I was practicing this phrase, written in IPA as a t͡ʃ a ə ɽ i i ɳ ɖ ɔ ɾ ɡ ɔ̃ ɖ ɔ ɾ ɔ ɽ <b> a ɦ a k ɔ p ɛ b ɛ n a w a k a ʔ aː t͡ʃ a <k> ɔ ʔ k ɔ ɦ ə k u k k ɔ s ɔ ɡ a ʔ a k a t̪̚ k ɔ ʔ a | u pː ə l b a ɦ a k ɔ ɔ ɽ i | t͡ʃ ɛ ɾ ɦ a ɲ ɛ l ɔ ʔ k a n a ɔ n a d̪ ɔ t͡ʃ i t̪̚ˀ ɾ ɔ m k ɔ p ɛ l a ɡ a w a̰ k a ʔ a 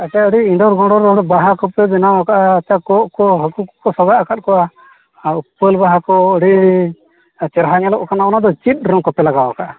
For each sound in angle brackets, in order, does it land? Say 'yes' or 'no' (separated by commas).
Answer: yes, yes